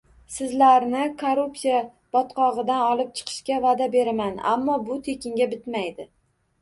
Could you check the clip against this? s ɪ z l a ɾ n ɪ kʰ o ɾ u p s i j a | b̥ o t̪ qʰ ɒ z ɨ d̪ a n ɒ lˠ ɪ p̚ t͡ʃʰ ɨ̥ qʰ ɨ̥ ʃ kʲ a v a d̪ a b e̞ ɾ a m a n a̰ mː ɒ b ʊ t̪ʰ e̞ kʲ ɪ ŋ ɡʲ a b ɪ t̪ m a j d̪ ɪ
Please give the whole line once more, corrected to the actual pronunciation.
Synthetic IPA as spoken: s ɪ z l a ɾ n ɪ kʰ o ɾ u p s i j a | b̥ ɒ t̪ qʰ ɒ ʁ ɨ d̪ a n ɒ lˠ ɪ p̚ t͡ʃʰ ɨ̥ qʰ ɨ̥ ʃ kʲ a v a d̪ a b e̞ ɾ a m a n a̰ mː ɒ b ʊ t̪ʰ e̞ kʲ ɪ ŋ ɡʲ a b ɪ t̪ m a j d̪ ɪ